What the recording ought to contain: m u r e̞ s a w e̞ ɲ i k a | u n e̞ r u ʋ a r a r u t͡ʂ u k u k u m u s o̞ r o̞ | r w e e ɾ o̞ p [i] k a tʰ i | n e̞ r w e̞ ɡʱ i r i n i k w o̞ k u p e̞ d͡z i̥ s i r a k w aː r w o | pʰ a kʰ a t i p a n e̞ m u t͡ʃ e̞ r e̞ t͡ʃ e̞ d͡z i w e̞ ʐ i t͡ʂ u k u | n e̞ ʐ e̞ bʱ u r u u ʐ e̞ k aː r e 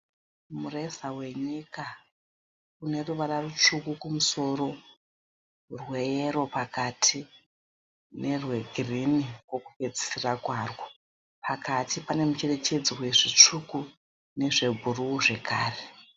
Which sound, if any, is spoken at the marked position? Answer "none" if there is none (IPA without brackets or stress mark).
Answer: a